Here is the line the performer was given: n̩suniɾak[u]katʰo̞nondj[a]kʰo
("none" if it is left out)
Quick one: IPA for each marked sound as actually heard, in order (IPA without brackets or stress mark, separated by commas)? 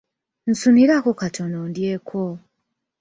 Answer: o, e